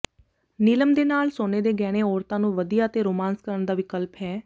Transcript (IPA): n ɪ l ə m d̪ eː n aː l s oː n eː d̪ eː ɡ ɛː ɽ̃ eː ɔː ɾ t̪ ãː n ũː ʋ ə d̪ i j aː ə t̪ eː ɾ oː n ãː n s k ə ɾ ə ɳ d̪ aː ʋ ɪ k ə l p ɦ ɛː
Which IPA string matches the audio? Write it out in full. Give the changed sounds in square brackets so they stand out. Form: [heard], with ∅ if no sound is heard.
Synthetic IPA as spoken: n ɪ l ə m d̪ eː n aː l s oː n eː d̪ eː ɡ ɛː ɽ̃ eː ɔː ɾ t̪ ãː n ũː ʋ ə d̪ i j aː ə t̪ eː ɾ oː [m] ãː n s k ə ɾ ə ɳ d̪ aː ʋ ɪ k ə l p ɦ ɛː